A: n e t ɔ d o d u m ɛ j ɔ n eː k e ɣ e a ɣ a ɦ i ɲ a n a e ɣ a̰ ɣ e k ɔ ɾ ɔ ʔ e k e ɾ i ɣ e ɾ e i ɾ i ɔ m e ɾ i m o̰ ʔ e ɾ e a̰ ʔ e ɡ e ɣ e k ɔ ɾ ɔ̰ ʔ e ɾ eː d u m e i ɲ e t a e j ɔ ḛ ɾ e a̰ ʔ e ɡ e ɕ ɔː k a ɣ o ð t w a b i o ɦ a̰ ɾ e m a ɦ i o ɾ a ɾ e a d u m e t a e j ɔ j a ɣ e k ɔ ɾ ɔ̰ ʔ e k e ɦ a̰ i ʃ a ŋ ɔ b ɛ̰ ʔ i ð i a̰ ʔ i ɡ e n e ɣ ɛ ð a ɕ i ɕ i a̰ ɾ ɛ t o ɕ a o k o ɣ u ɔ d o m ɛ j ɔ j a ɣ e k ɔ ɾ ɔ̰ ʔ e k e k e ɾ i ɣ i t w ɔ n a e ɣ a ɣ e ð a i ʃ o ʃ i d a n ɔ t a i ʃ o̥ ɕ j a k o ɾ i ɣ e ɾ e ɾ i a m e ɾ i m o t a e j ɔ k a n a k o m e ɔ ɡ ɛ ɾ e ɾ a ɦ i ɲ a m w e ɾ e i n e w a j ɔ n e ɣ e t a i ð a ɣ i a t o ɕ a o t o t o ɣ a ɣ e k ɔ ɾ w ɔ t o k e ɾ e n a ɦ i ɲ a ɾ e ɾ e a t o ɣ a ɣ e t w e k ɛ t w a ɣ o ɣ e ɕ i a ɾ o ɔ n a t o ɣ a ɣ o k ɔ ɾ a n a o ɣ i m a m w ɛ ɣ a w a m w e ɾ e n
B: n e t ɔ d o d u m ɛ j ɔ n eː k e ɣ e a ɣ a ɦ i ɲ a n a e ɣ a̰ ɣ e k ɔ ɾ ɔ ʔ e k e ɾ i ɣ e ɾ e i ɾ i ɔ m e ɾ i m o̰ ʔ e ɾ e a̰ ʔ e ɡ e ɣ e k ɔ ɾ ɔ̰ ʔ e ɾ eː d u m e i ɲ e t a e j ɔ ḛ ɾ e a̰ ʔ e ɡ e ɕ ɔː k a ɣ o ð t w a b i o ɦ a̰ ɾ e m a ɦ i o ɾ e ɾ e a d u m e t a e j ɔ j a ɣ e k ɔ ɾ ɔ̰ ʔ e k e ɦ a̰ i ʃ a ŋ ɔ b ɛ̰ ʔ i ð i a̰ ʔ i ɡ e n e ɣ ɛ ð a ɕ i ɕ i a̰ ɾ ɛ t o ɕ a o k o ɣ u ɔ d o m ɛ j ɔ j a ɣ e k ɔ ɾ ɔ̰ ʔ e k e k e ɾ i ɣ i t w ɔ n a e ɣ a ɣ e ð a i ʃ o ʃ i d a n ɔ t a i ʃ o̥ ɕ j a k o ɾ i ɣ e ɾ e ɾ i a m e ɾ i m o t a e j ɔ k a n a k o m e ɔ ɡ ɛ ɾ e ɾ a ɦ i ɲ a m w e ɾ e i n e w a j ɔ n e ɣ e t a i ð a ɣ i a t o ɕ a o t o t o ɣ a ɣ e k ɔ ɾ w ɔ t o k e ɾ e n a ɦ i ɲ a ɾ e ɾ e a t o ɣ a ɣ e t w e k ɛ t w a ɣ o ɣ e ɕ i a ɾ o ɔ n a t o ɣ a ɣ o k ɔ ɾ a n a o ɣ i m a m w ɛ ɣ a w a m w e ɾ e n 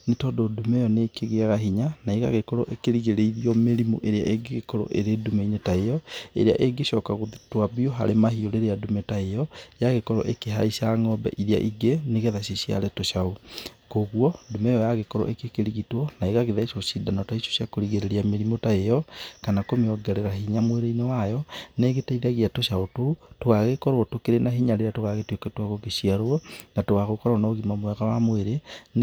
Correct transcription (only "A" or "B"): B